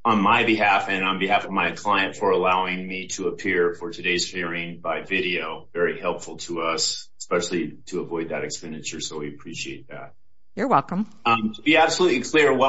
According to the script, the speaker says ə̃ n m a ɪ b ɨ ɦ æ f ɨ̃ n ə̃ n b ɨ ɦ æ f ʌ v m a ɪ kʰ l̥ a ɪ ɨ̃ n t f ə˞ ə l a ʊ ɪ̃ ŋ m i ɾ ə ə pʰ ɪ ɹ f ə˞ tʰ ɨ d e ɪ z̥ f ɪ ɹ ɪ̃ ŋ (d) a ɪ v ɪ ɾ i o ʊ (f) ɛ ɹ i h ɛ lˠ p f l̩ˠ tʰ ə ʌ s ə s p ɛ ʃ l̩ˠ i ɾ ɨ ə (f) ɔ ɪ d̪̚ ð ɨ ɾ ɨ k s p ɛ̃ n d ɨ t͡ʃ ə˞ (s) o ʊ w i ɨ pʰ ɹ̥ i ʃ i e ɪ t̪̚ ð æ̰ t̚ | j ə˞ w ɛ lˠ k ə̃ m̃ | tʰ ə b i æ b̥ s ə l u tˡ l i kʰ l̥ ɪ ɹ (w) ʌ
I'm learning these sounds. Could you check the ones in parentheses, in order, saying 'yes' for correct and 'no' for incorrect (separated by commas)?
no, no, no, yes, yes